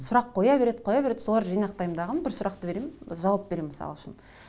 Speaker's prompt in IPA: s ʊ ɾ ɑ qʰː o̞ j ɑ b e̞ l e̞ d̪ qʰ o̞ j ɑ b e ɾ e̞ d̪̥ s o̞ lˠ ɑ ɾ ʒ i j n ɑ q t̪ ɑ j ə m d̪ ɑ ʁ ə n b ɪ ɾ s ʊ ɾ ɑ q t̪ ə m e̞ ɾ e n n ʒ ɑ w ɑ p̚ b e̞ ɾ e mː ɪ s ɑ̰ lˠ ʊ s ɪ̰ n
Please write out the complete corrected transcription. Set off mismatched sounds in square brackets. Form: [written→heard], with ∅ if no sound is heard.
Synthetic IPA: s ʊ ɾ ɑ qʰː o̞ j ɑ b e̞ [l→ɾ] e̞ d̪ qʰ o̞ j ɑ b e ɾ e̞ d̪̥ s o̞ lˠ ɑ ɾ ʒ i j n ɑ q t̪ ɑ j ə m d̪ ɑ ʁ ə n b ɪ ɾ s ʊ ɾ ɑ q t̪ ə [m→b] e̞ ɾ e [n→m] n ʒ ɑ w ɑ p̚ b e̞ ɾ e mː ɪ s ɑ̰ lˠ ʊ [s→ʃ] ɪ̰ n